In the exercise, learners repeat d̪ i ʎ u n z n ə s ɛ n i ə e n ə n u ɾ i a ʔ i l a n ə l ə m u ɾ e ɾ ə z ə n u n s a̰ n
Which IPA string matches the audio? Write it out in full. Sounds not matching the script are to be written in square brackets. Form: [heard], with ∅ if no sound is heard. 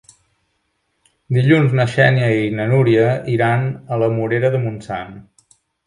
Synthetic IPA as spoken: d̪ i ʎ u n z n ə [ʃ] ɛ n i ə [i] n ə n u ɾ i [ə] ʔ i [ɾ] a n ə l ə m u ɾ e ɾ ə [ð] ə [m] u n s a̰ n